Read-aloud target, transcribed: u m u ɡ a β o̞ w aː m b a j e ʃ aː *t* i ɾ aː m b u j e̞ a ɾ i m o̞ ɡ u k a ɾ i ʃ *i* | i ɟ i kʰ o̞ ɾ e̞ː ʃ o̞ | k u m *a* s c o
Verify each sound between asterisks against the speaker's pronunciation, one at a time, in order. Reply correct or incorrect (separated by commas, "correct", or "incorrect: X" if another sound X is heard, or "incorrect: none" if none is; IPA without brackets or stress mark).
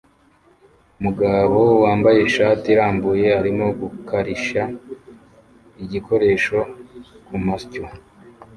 correct, incorrect: a, correct